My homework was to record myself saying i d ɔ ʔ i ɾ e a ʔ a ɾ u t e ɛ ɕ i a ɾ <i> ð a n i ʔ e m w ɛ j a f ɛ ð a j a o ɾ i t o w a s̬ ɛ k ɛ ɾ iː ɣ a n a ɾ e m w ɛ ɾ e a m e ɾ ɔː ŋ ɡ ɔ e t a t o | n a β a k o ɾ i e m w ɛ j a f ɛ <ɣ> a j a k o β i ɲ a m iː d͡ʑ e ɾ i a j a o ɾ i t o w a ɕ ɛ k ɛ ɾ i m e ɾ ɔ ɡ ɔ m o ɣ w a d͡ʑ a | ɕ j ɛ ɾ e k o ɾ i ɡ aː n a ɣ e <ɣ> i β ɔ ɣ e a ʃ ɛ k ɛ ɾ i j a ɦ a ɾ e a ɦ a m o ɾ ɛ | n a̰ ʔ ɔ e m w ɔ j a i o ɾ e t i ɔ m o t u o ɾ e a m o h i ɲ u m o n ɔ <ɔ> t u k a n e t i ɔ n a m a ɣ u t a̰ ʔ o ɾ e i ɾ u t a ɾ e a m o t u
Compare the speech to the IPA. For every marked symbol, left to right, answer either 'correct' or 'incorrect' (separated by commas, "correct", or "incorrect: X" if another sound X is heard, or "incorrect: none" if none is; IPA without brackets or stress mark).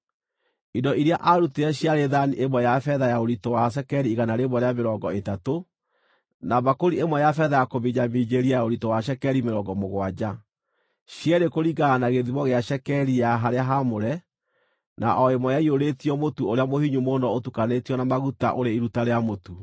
incorrect: e, incorrect: ð, incorrect: ð, incorrect: o